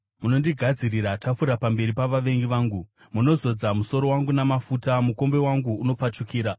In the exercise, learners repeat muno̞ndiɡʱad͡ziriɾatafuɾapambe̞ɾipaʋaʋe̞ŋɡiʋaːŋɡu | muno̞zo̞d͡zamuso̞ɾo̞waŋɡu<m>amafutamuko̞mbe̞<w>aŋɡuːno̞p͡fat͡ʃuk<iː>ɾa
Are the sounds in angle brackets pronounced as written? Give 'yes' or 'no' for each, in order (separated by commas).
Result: no, yes, yes